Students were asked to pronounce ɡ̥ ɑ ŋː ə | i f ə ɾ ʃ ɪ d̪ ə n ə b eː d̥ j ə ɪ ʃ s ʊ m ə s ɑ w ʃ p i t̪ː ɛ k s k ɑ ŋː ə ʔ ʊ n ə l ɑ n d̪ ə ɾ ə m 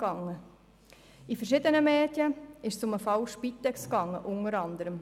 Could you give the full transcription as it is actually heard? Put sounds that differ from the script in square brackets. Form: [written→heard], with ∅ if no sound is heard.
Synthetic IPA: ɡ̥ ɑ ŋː ə | i f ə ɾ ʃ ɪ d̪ ə n ə [b→m] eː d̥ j ə ɪ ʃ s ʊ m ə [s→f] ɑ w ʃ p i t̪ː ɛ k s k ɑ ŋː ə ʔ ʊ n ə [l→ɾ] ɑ n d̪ ə ɾ ə m